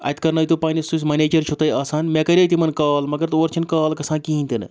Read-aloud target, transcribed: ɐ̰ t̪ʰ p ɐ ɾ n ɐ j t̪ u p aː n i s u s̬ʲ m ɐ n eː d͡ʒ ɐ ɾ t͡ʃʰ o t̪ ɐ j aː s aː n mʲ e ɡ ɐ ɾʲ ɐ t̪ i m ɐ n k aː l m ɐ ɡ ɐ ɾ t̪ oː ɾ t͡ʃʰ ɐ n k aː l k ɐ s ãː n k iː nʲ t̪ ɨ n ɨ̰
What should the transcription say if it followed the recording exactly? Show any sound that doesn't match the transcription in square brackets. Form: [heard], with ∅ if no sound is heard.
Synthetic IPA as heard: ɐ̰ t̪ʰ [k] ɐ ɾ n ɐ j t̪ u p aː n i s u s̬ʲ m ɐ n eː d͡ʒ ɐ ɾ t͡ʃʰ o t̪ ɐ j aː s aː n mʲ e [k] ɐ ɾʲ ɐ t̪ i m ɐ n k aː l m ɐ ɡ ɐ ɾ t̪ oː ɾ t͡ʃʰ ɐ n k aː l k ɐ s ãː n k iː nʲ t̪ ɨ n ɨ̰

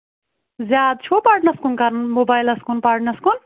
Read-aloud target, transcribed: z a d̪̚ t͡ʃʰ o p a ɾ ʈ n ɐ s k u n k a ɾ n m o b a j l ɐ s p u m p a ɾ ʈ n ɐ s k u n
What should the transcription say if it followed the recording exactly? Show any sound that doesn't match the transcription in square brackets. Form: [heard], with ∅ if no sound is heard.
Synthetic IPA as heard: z a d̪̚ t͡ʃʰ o p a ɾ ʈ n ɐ s k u n k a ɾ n m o b a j l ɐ s [k] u [n] p a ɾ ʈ n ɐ s k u n

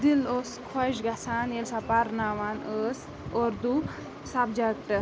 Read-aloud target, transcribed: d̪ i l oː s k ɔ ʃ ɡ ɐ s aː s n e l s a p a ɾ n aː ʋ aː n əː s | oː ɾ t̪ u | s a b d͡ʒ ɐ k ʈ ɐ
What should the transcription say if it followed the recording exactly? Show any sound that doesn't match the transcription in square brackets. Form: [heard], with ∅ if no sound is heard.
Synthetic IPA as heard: d̪ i l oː s [kʰ] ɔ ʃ ɡ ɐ s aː [∅] n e l s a p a ɾ n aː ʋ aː n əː s | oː ɾ [d̪] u | s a b d͡ʒ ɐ k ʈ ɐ

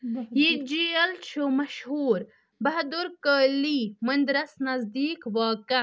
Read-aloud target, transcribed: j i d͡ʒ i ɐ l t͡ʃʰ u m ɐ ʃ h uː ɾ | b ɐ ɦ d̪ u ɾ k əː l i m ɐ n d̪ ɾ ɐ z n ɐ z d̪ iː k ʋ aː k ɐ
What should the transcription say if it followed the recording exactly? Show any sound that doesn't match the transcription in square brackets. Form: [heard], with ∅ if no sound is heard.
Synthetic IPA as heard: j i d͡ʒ i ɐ l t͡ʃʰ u m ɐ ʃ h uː ɾ | b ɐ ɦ d̪ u ɾ k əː l i m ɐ n d̪ ɾ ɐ [s] n ɐ z d̪ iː k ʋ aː k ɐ

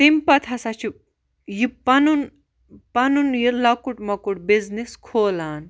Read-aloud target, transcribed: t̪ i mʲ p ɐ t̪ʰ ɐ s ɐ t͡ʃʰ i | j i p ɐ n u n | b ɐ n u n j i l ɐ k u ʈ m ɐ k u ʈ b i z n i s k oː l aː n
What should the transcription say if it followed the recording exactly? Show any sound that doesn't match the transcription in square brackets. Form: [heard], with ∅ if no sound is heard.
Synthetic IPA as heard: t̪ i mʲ p ɐ t̪ʰ ɐ s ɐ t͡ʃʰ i | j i p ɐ n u n | [p] ɐ n u n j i l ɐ k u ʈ m ɐ k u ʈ b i z n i s [kʰ] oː l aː n

